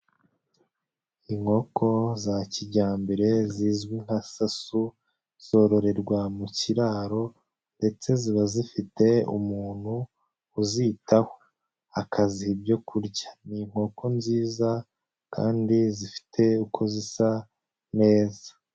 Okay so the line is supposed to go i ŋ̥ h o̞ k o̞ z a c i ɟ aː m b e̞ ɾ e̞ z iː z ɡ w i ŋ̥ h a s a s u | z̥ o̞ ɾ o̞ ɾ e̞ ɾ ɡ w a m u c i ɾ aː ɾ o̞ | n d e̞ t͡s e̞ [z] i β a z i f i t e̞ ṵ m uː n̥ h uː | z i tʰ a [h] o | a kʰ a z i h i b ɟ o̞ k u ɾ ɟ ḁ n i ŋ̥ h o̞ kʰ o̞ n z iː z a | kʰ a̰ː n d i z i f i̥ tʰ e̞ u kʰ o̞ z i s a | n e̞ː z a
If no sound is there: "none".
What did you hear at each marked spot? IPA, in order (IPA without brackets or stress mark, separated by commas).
z, h